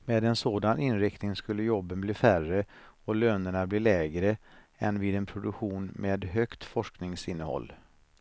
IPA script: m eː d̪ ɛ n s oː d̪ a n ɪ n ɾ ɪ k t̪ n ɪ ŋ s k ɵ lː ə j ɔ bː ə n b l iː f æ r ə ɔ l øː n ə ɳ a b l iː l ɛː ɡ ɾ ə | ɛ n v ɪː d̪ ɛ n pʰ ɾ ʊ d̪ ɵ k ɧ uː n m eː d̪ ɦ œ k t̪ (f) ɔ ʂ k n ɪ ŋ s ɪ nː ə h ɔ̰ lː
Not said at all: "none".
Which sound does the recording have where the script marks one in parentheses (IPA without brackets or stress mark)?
f